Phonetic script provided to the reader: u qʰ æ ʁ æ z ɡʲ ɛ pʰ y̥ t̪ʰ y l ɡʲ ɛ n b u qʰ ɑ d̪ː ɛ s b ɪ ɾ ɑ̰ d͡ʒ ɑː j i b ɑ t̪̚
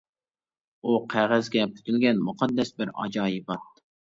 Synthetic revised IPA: u qʰ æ ʁ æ z ɡʲ ɛ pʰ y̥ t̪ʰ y l ɡʲ ɛ n m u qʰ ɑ d̪ː ɛ s b ɪ ɾ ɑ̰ d͡ʒ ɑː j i b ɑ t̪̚